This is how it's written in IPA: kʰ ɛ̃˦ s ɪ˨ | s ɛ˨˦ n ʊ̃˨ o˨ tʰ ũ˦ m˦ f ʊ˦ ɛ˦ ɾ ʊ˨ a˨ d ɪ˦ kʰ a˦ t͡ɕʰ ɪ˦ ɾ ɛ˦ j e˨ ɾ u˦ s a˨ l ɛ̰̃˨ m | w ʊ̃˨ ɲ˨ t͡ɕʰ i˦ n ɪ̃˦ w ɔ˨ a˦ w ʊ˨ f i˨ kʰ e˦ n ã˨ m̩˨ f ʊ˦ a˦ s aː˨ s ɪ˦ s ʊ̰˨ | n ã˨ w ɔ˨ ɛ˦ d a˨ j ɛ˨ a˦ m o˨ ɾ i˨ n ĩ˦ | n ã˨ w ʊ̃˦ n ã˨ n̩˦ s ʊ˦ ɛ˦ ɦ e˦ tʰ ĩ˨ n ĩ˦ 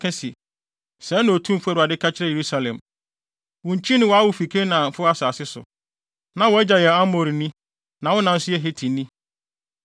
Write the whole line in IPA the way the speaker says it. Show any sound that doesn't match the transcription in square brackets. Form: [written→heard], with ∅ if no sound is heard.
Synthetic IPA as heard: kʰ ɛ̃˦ s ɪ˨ | s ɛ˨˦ n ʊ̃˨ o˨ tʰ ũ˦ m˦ f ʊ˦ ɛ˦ ɾ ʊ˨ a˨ d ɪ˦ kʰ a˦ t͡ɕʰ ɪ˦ ɾ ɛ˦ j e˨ ɾ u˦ s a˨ l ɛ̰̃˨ m | w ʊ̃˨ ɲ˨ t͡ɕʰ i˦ n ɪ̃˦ w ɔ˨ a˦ w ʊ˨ f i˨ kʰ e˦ n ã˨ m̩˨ f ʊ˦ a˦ s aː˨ s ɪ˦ s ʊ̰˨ | n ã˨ w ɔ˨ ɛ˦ [d→d͡ʑ] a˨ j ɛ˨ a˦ m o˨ ɾ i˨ n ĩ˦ | n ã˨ w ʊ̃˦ n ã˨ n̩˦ s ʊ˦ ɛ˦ ɦ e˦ tʰ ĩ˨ n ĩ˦